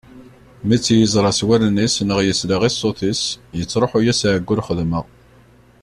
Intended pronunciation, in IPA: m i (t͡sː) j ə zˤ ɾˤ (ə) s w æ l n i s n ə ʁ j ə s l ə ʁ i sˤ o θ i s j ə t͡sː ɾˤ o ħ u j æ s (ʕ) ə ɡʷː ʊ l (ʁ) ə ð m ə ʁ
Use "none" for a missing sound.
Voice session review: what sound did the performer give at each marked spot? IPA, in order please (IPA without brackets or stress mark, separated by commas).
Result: t͡sː, ɑ, ʕ, χ